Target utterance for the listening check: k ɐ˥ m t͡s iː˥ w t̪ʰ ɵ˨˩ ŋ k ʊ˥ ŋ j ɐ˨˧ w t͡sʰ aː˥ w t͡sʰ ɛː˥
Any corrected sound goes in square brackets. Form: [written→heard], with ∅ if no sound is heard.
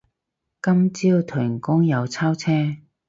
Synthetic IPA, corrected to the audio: k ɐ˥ m t͡s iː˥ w t̪ʰ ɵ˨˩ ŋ k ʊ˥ ŋ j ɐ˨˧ w t͡sʰ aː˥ w t͡sʰ ɛː˥